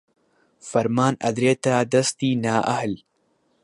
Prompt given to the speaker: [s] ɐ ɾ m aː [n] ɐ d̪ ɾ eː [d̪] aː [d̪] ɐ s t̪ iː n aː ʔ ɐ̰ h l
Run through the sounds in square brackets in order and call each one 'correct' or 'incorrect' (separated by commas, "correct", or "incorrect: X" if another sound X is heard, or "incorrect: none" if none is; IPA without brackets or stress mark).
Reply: incorrect: f, correct, incorrect: t̪, correct